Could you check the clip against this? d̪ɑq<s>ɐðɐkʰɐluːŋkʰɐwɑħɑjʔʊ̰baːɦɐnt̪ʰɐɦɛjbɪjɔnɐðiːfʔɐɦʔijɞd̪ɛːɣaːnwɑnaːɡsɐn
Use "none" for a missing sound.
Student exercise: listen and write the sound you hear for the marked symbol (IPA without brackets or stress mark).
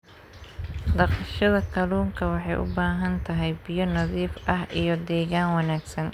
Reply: ʃ